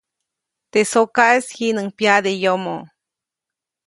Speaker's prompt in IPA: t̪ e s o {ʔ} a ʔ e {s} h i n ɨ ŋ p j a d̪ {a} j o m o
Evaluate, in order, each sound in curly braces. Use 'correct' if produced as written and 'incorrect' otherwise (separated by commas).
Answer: incorrect, correct, incorrect